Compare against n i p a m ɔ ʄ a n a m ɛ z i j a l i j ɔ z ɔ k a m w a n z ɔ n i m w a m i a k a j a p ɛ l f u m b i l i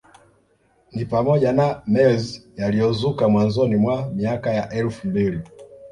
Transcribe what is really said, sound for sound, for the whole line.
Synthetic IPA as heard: n i p a m ɔ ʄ a n a m ɛ z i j a l i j ɔ z u k a m w a n z ɔ n i m w a m i a k a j a ʔ ɛ l f u m b i l i